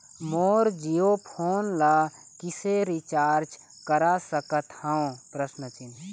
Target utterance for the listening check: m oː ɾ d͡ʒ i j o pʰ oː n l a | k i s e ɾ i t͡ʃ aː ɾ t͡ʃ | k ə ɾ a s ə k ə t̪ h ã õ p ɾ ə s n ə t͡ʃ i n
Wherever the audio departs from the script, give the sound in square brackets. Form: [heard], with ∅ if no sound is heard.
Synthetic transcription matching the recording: m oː ɾ d͡ʒ i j o pʰ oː n l a | k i s e ɾ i t͡ʃ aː ɾ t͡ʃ | k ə ɾ a s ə k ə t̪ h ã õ p ɾ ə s n ə t͡ʃ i n